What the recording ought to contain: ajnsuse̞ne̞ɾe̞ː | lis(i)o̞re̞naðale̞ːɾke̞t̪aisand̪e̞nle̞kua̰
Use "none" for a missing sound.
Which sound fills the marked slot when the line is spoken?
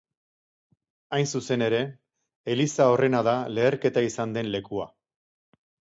a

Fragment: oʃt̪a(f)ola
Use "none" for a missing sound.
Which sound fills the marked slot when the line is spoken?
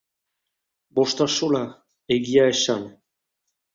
ʃ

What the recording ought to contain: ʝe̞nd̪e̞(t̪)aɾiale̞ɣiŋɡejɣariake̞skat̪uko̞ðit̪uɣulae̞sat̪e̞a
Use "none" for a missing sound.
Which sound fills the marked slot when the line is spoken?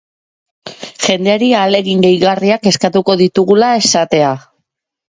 none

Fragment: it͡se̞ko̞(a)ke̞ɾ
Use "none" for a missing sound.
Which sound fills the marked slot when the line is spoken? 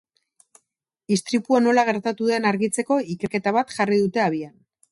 i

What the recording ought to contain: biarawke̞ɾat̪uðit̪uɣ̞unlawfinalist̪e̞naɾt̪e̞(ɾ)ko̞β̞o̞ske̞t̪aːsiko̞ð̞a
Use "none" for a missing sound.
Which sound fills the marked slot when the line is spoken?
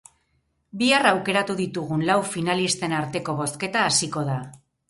none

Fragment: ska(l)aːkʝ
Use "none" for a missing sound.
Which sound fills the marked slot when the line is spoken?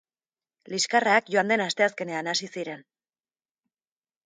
r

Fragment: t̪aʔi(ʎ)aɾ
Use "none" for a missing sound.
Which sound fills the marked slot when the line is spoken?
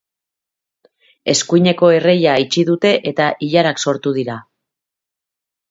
ʎ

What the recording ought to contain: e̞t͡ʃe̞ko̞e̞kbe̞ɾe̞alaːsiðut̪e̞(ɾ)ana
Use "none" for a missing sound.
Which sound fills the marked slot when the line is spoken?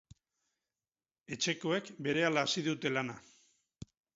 l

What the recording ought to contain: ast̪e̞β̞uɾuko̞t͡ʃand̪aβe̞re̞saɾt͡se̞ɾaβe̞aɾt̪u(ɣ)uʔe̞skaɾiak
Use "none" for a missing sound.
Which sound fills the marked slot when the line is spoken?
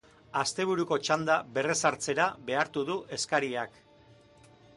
ð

